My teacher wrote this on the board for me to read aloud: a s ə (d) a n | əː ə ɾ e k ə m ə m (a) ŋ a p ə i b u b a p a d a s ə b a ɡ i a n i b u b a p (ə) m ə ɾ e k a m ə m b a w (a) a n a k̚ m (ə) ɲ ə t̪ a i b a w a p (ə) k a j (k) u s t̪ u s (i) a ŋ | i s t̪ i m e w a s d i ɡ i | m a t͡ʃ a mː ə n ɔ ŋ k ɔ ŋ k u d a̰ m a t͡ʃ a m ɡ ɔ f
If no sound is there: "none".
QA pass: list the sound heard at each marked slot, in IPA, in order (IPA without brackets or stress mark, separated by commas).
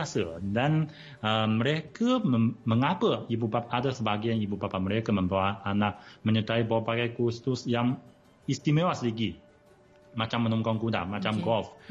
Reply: d, ə, a, a, ə, a, k, j